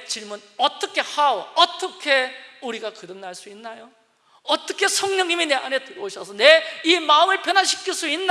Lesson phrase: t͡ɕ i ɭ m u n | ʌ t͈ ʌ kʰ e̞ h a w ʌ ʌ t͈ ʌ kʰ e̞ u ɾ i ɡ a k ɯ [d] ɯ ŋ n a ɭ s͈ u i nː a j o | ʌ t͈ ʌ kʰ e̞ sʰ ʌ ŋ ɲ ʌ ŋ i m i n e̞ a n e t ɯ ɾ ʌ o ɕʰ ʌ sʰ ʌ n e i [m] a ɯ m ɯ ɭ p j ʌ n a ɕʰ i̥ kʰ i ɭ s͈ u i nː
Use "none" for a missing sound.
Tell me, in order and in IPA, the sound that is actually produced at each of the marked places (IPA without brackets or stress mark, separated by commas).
d, m